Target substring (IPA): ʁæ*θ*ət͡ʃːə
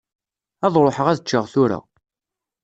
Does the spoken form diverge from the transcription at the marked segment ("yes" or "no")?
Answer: yes